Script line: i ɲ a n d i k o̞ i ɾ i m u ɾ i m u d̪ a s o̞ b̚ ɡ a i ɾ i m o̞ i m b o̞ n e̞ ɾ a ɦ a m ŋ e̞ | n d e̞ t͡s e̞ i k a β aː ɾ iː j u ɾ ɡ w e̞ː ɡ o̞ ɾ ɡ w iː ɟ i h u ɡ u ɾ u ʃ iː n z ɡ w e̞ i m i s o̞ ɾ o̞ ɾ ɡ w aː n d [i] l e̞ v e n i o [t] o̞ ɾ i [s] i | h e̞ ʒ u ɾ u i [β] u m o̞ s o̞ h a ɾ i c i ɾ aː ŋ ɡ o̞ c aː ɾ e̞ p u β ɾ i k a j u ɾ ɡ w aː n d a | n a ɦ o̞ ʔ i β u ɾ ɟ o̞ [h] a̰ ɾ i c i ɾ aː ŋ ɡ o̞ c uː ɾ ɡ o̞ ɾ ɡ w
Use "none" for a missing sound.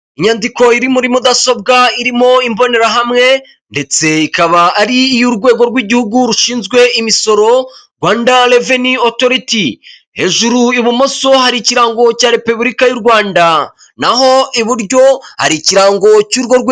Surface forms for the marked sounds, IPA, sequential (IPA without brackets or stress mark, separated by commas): a, t, t, β, h